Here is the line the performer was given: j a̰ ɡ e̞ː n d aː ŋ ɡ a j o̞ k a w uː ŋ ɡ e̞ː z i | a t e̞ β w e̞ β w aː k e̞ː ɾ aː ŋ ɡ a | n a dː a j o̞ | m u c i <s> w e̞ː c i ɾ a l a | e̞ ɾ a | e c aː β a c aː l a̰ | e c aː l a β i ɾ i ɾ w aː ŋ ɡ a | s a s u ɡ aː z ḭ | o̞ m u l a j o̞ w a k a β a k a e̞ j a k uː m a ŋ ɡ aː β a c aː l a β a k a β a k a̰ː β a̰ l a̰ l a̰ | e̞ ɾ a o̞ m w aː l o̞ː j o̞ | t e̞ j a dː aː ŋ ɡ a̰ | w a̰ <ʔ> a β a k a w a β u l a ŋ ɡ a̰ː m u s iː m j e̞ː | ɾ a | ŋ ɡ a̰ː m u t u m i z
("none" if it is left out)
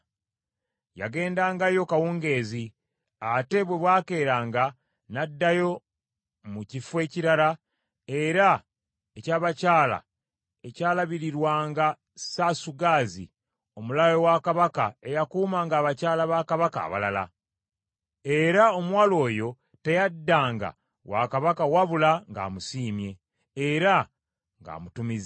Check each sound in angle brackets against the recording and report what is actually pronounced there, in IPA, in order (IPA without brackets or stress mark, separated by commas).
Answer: f, k